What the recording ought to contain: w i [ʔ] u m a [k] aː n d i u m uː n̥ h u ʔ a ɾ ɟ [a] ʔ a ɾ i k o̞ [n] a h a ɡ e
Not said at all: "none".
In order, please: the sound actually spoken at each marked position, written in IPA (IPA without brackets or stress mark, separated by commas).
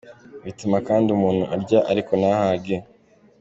t, k, a, n